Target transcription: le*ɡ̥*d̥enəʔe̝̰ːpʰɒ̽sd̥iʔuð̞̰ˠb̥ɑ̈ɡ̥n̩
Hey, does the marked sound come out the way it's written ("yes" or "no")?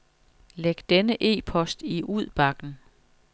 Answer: yes